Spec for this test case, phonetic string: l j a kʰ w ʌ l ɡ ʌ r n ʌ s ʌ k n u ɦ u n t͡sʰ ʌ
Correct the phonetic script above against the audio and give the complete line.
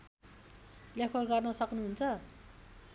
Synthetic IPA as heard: l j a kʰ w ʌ r ɡ ʌ r n ʌ s ʌ k n u ɦ u n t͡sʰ ʌ